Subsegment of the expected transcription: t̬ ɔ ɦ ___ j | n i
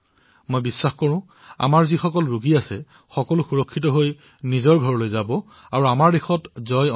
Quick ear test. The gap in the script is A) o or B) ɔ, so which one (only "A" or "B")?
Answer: A